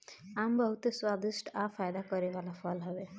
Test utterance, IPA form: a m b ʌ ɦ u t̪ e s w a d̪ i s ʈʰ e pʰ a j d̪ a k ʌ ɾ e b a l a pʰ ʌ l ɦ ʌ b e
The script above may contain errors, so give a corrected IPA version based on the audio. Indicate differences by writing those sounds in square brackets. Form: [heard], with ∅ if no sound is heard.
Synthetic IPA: a m b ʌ ɦ u t̪ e s w a d̪ i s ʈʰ [a] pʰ a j d̪ a k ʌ ɾ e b a l a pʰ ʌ l ɦ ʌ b e